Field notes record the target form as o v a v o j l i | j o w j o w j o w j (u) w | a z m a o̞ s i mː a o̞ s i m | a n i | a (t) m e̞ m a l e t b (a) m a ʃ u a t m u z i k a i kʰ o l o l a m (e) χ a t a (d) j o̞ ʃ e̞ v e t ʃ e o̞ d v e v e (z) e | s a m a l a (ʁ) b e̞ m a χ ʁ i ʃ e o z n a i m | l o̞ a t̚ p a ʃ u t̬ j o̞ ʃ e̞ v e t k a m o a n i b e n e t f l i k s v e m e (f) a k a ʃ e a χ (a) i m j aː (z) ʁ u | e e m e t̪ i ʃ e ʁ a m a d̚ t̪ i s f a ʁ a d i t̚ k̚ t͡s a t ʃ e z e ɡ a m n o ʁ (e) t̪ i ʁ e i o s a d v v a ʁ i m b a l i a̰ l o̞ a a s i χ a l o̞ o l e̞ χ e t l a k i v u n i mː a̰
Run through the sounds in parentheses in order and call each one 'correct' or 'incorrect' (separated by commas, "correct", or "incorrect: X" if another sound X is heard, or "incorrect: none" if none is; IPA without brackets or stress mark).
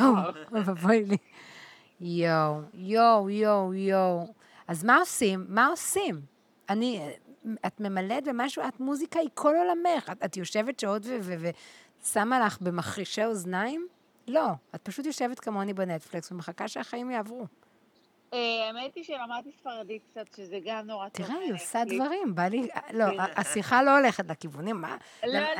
incorrect: o, correct, incorrect: e, correct, incorrect: t, incorrect: v, incorrect: χ, incorrect: χ, correct, incorrect: v, incorrect: a